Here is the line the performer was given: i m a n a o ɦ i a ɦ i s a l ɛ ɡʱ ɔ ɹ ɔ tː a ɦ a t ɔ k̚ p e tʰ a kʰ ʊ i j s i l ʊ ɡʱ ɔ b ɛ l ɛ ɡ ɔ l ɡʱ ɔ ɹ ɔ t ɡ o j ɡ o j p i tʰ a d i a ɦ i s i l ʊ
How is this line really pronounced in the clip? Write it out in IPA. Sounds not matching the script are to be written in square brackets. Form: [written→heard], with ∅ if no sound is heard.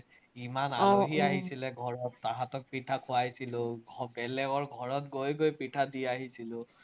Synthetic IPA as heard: i m a n a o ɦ i a ɦ i s [a→i] l ɛ ɡʱ ɔ ɹ ɔ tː a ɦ a t ɔ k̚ p [e→i] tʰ a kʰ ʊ [i→a] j s i l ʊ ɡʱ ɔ b ɛ l ɛ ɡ ɔ [l→ɹ] ɡʱ ɔ ɹ ɔ t ɡ o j ɡ o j p i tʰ a d i a ɦ i s i l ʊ